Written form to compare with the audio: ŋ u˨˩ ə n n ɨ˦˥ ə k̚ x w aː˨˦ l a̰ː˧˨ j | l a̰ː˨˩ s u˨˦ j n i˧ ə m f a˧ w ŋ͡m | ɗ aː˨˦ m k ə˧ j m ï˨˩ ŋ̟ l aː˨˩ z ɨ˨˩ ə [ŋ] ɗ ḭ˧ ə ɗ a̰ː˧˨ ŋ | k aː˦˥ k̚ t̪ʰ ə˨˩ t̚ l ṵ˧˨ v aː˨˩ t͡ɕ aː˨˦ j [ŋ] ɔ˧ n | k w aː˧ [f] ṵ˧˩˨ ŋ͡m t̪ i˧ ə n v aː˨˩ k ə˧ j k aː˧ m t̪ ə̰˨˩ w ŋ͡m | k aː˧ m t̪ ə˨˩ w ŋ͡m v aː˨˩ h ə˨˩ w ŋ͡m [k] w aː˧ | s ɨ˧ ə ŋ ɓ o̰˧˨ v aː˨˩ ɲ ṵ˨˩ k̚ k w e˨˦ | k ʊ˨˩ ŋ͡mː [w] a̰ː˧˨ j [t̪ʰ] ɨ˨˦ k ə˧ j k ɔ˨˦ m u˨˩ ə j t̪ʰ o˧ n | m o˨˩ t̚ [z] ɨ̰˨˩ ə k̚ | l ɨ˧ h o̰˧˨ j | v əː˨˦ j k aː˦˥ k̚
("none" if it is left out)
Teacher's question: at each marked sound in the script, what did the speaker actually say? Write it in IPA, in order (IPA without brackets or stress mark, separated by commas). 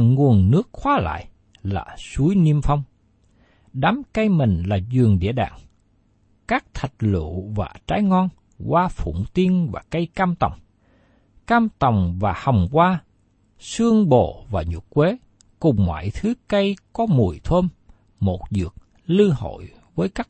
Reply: ŋ, ŋ, f, k, w, t̪ʰ, z